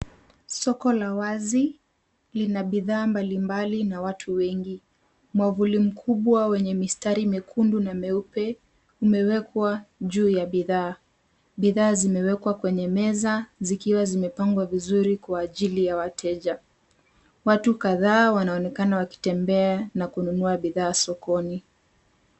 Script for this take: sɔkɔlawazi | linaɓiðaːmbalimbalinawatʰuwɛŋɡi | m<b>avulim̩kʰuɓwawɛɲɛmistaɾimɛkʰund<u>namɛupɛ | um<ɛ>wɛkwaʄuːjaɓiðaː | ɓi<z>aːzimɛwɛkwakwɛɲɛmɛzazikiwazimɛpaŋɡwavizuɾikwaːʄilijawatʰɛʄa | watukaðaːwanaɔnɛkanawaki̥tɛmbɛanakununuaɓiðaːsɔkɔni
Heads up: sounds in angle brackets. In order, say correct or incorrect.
incorrect: w, correct, correct, incorrect: ð

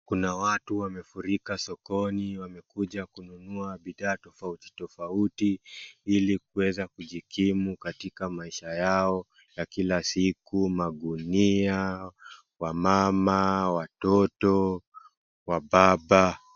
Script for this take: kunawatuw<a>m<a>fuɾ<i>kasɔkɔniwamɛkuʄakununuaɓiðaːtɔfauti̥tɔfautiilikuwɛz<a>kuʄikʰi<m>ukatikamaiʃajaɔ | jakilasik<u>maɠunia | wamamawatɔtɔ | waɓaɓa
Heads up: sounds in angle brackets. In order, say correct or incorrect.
correct, incorrect: ɛ, correct, correct, correct, correct

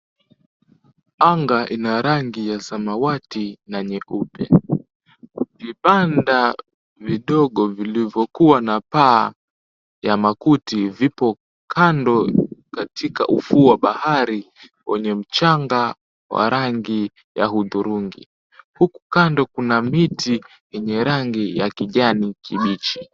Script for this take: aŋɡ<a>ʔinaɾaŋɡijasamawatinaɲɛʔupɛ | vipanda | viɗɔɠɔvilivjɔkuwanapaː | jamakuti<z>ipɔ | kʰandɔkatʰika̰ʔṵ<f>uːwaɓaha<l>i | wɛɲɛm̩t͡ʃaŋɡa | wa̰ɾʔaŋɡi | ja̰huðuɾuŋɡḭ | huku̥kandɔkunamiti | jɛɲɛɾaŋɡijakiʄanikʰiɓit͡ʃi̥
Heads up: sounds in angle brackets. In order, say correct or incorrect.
correct, incorrect: v, correct, incorrect: ɾ

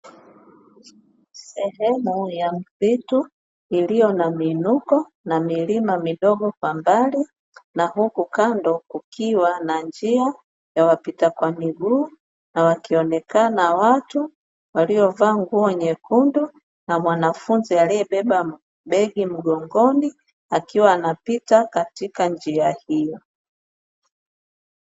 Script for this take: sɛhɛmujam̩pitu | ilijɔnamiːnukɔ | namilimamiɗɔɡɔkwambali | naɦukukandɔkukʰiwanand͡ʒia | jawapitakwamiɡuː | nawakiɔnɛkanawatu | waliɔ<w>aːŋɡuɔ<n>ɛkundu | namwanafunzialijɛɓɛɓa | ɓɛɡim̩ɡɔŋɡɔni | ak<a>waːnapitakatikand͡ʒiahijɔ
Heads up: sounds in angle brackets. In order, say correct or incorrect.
incorrect: v, incorrect: ɲ, incorrect: i

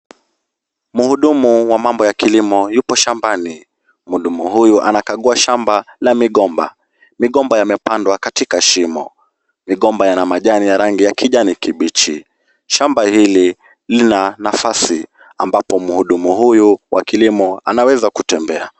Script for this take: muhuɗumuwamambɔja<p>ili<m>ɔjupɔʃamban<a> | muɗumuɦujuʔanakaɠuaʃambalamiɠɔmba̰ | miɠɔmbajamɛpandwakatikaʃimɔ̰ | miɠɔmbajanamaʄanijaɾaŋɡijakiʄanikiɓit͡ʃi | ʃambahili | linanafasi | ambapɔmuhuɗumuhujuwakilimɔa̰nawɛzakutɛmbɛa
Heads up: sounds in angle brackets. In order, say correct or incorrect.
incorrect: k, correct, incorrect: i

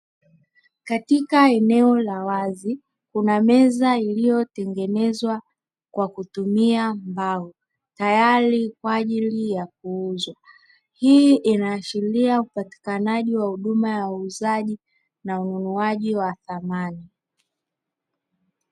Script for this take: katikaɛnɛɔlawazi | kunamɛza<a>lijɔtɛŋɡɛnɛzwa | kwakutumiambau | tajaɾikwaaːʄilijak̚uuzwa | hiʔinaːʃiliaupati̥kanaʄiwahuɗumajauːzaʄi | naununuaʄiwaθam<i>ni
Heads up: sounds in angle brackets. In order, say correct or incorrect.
incorrect: i, incorrect: a

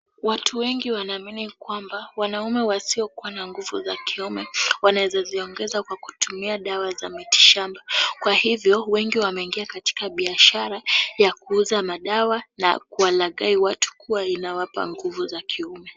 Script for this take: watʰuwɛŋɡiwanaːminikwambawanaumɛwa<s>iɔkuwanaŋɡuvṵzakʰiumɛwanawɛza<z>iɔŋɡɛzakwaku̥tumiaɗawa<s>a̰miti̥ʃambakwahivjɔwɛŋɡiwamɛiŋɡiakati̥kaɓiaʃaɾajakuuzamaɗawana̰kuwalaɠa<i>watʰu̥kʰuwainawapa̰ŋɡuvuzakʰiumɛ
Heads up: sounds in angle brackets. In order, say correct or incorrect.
correct, correct, incorrect: z, correct

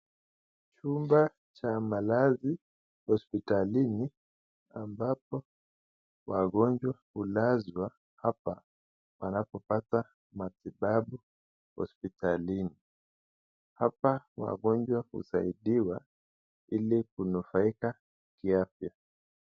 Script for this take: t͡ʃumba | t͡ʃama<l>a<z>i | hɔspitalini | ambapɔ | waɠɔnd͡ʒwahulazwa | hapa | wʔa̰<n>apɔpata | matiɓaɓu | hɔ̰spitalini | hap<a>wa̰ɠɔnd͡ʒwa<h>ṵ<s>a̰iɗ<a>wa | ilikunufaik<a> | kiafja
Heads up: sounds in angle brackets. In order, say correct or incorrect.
correct, correct, correct, correct, correct, correct, incorrect: i, correct

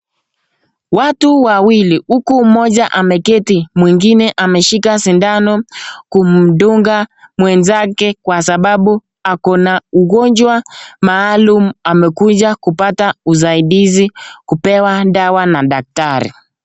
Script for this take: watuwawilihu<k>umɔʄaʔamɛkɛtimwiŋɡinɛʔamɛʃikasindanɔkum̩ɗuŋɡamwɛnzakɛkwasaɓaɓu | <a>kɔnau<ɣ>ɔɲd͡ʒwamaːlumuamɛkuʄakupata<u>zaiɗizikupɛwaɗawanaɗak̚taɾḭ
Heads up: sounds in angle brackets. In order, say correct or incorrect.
correct, correct, correct, correct

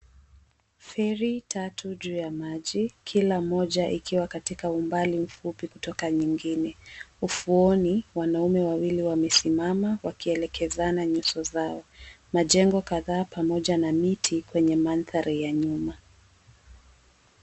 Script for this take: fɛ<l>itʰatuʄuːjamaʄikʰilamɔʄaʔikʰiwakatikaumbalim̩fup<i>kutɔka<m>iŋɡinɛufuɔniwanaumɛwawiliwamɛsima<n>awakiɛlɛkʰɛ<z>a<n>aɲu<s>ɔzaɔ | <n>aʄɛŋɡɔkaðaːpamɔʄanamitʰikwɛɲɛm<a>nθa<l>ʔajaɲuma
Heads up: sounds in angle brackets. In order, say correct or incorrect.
incorrect: ɾ, correct, incorrect: ɲ, incorrect: m, correct, correct, correct, incorrect: m, correct, incorrect: ɾ

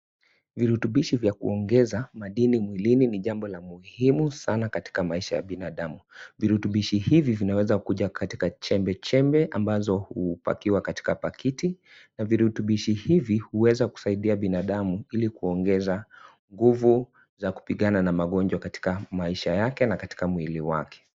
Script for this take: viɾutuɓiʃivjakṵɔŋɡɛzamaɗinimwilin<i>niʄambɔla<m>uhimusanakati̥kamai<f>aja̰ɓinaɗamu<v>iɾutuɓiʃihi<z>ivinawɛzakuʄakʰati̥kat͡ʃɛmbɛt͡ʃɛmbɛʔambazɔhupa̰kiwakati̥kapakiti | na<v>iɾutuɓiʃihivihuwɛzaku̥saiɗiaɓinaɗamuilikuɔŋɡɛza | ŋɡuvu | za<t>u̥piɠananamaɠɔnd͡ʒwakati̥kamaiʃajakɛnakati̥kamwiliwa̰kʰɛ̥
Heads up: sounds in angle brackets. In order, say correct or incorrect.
correct, correct, incorrect: ʃ, correct, incorrect: v, correct, incorrect: k

